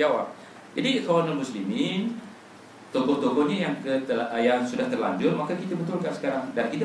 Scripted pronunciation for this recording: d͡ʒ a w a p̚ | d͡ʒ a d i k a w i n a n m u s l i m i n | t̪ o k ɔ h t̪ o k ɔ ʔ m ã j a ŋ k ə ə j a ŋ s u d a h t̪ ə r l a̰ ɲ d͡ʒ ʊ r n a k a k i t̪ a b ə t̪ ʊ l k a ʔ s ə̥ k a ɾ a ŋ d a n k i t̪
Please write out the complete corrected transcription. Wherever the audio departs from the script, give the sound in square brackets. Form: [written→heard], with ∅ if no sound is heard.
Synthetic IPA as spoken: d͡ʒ a w a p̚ | d͡ʒ a d i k a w [i→a] n a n m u s l i m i n | t̪ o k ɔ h t̪ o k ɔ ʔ [m→ɲ] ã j a ŋ k ə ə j a ŋ s u d a h t̪ ə r l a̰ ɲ d͡ʒ ʊ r [n→m] a k a k i t̪ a b ə t̪ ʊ l k a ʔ s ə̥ k a ɾ a ŋ d a n k i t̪